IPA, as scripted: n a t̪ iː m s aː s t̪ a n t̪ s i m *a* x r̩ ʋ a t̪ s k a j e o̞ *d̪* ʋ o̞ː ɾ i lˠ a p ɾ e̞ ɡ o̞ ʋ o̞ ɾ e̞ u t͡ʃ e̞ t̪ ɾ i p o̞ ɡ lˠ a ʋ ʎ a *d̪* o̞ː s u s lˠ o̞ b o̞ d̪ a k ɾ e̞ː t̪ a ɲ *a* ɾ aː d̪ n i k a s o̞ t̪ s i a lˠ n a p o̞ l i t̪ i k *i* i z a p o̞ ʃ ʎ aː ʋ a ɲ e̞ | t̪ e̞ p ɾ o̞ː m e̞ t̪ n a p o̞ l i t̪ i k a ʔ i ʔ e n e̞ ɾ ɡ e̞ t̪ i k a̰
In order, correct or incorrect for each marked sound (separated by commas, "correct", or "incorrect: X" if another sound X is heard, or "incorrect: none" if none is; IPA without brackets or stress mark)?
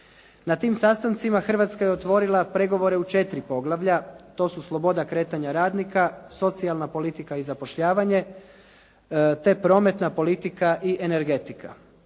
correct, incorrect: t̪, incorrect: t̪, correct, incorrect: a